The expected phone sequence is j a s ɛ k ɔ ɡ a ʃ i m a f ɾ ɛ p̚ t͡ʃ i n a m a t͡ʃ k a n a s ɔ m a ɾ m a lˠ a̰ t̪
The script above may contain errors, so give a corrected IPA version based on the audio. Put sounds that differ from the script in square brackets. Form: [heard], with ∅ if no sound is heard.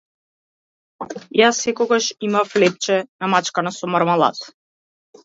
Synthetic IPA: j a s ɛ k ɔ ɡ a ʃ i m a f [l] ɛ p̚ t͡ʃ [ɛ] n a m a t͡ʃ k a n a s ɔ m a ɾ m a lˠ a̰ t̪